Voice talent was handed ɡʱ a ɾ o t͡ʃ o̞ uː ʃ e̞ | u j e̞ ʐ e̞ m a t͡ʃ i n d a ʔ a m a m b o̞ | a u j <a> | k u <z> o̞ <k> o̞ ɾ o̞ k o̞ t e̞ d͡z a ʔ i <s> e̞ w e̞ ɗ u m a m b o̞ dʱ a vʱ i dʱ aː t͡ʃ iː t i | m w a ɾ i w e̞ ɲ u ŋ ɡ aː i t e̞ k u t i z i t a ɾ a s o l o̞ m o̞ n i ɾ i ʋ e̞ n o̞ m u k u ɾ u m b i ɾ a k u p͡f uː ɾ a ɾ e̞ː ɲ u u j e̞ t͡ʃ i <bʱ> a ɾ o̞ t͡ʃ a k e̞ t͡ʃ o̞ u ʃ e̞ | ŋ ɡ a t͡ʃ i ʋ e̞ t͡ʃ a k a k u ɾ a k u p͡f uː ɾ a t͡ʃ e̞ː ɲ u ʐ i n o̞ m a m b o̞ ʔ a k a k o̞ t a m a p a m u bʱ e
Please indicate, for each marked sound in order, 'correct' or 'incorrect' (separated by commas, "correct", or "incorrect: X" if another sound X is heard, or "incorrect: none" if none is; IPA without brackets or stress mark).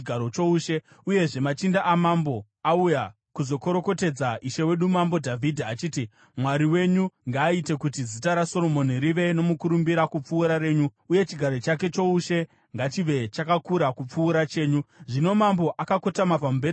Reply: correct, correct, correct, incorrect: ʃ, incorrect: ɡʱ